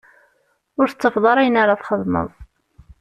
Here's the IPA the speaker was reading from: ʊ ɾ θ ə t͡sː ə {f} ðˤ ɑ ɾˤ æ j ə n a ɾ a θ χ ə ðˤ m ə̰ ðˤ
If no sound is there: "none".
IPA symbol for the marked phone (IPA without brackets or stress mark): f